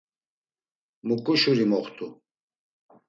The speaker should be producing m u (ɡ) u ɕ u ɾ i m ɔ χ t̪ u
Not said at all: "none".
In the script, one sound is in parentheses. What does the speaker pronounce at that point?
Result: k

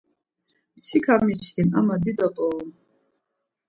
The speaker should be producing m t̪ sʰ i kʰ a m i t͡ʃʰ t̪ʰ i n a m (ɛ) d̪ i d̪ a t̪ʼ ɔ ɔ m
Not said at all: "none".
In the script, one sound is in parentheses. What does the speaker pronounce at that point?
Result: a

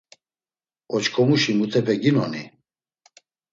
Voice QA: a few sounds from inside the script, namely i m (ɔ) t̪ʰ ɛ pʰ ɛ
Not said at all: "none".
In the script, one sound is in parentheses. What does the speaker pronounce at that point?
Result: u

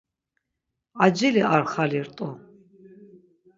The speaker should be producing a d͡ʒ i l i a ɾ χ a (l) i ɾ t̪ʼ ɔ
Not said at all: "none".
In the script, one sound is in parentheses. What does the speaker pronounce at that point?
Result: l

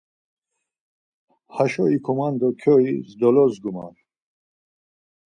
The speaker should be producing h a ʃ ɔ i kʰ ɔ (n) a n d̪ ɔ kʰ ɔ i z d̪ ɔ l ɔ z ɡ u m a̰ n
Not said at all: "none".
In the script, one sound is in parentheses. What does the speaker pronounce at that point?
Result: m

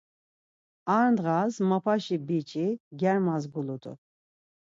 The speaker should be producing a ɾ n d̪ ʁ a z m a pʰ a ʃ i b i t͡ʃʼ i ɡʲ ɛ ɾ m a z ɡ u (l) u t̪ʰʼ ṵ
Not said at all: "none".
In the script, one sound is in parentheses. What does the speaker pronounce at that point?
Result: l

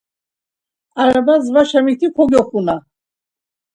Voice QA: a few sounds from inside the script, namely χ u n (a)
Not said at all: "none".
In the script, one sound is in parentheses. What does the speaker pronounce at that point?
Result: a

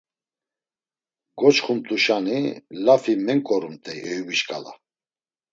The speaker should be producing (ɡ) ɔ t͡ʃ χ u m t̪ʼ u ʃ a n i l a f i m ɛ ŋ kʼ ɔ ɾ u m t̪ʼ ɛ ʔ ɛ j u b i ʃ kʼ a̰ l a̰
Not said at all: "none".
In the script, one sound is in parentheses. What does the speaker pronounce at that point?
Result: ɡ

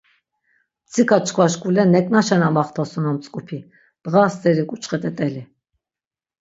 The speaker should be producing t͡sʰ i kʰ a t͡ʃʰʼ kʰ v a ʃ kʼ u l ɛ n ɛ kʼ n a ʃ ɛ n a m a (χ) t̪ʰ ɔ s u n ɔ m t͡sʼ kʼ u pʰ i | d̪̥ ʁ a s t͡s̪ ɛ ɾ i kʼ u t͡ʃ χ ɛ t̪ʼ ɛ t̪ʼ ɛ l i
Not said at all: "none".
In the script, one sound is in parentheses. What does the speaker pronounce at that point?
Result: χ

